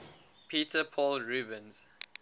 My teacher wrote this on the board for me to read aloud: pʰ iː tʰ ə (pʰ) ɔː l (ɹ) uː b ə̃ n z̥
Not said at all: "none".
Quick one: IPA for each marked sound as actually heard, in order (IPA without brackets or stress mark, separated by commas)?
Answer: pʰ, ɹ